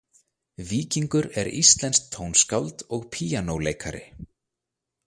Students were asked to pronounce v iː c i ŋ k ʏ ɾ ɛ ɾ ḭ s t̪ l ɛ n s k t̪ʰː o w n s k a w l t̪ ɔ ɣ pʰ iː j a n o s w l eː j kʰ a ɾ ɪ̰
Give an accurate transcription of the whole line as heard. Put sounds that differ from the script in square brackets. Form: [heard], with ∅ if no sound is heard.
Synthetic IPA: v iː c i ŋ k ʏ ɾ ɛ ɾ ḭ s t̪ l ɛ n s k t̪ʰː o w n s k a w l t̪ ɔ ɣ pʰ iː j a n o [∅] w l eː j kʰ a ɾ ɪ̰